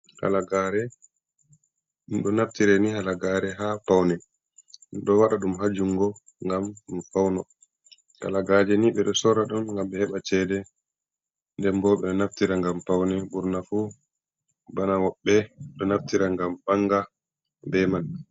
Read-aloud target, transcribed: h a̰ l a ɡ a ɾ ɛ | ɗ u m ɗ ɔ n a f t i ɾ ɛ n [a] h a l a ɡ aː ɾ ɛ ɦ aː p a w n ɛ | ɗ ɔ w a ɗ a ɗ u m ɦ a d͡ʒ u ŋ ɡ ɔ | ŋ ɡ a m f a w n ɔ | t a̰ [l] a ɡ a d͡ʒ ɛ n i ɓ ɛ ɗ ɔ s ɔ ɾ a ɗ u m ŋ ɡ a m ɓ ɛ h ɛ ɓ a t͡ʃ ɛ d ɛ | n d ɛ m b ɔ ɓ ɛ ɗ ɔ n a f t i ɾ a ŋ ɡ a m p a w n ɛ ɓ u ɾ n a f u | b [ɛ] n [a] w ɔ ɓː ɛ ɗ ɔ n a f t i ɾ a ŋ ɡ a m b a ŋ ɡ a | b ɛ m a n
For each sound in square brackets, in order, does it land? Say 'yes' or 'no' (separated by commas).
no, yes, no, yes